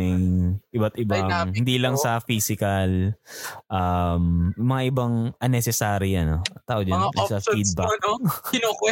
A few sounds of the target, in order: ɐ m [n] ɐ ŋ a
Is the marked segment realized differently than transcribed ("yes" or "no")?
yes